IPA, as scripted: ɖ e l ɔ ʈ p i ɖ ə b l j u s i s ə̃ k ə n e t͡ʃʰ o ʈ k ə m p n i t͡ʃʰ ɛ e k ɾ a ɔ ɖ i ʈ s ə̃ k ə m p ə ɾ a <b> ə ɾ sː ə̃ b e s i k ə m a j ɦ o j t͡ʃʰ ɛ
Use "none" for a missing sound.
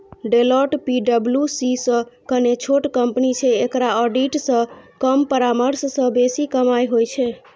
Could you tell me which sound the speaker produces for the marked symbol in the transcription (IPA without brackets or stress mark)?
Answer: m